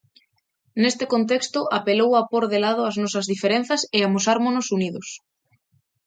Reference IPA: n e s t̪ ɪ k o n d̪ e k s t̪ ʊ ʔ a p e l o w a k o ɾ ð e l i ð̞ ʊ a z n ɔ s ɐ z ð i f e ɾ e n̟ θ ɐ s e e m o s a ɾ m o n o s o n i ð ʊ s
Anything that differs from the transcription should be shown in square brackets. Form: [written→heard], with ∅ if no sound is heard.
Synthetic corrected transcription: n e s t̪ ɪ k o n [d̪→t̪] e k s t̪ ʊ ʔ a p e l o w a [k→p] o ɾ ð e l [i→a] ð̞ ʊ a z n ɔ s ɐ z ð i f e ɾ e n̟ θ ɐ s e [e→a] m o s a ɾ m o n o s [o→u] n i ð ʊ s